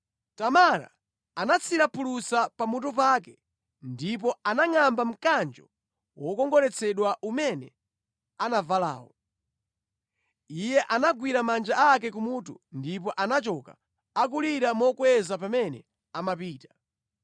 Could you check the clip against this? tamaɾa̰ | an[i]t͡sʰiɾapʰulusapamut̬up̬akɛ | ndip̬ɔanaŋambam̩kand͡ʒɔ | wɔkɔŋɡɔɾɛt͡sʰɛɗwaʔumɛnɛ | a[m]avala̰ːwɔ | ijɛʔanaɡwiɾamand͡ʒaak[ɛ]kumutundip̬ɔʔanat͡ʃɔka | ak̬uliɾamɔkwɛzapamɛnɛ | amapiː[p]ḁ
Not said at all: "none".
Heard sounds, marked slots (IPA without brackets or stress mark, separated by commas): a, n, ɛ, t